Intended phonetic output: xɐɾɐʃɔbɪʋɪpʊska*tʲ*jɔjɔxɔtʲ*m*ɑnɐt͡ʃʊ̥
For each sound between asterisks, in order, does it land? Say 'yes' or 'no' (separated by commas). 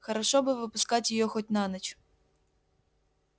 yes, no